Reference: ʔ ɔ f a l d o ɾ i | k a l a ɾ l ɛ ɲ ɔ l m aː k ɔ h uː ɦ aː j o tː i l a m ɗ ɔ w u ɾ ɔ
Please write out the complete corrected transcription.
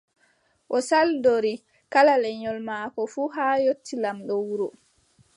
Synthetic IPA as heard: ʔ ɔ s a l d o ɾ i | k a l a l ɛ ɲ ɔ l m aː k ɔ f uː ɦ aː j o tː i l a m ɗ ɔ w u ɾ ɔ